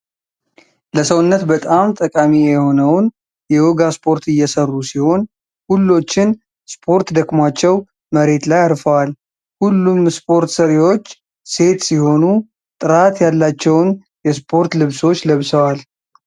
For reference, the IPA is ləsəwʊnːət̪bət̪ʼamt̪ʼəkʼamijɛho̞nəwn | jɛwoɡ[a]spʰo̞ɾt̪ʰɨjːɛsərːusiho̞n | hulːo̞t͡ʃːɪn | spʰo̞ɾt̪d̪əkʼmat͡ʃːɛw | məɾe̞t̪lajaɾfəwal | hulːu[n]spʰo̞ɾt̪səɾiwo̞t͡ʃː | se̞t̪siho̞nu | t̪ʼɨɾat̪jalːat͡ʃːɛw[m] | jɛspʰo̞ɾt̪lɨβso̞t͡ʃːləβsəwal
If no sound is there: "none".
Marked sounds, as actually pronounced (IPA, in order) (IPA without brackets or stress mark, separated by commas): a, m, n